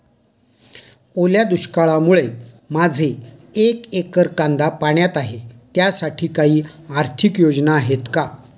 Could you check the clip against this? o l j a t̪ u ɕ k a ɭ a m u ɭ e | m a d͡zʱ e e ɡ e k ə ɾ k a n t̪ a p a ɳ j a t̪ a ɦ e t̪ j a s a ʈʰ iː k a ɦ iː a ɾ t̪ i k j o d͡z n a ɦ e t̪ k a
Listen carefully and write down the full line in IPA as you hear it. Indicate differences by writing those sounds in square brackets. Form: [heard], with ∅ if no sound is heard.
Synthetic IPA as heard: o l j a [d̪] u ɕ k a ɭ a m u ɭ e | m a d͡zʱ e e [k] e k ə ɾ k a n [d̪] a p a ɳ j a t̪ a ɦ e t̪ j a s a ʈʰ iː k a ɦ iː a ɾ [t̪ʰ] i k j o d͡z n a ɦ e t̪ k a